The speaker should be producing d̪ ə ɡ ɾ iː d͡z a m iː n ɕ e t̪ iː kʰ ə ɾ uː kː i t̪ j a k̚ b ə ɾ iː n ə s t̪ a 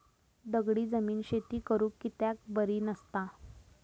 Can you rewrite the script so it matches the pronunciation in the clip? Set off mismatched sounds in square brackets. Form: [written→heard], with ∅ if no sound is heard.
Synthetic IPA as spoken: d̪ ə ɡ [ɾ→ɽ] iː d͡z [a→ə] m iː n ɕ e t̪ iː [kʰ→k] ə ɾ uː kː i t̪ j a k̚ b ə ɾ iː n ə s t̪ a